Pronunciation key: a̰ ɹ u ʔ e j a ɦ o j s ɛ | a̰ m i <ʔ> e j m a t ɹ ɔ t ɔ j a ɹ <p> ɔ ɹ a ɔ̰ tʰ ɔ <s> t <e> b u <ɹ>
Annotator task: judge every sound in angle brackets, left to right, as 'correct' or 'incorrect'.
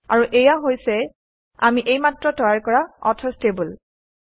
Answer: correct, incorrect, correct, correct, incorrect

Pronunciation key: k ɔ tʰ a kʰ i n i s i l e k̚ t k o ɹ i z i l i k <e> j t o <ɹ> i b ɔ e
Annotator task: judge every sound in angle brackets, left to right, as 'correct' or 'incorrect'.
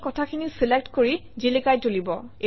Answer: incorrect, incorrect

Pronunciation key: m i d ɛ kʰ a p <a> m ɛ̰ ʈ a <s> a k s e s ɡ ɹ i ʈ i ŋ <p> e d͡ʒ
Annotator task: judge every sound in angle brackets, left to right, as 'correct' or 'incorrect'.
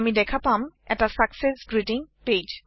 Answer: correct, correct, correct

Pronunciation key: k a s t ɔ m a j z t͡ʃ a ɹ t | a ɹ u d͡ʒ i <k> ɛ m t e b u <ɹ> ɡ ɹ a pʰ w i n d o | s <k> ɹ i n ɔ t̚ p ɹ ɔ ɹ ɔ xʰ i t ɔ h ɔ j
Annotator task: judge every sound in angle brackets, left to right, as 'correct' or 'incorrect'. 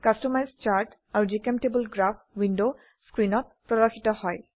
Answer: correct, incorrect, correct

